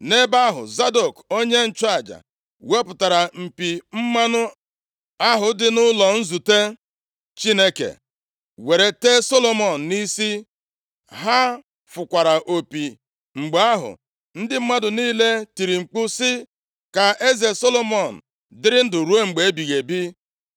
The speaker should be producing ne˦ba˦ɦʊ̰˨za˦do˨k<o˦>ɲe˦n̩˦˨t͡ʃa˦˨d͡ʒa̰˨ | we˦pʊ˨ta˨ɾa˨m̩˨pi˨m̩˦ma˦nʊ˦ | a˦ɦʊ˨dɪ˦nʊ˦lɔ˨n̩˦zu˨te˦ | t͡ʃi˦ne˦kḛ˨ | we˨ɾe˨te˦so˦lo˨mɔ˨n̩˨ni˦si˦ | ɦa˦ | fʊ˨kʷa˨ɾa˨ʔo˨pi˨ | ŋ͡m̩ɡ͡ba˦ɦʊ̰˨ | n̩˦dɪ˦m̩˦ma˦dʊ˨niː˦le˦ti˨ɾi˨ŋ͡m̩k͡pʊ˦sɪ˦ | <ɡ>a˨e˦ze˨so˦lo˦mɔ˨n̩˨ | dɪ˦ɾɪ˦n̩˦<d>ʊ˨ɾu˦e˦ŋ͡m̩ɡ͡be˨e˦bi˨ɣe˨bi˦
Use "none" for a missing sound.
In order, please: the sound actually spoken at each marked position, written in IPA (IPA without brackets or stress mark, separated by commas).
o˦, k, d